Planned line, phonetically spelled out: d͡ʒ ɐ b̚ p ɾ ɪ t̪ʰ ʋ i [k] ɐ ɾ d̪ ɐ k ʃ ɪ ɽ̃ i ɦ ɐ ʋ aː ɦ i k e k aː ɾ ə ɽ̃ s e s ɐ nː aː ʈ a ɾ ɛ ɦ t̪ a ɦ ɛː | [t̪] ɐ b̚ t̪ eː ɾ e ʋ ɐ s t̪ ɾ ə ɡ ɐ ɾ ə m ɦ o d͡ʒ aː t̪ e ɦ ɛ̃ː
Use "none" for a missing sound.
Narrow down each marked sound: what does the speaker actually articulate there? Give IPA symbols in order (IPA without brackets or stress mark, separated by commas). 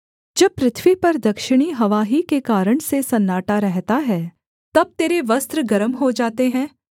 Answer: p, t̪